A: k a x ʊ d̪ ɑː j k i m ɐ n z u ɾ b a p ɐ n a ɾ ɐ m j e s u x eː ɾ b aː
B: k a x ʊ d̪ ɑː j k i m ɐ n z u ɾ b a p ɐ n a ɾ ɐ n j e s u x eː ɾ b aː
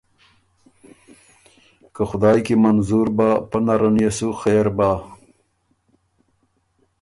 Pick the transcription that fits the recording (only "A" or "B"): B